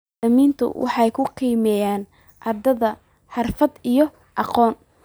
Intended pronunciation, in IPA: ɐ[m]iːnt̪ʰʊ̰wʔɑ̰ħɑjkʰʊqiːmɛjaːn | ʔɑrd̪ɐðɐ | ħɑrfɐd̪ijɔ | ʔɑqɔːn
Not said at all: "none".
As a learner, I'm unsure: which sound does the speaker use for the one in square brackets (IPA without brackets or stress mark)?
m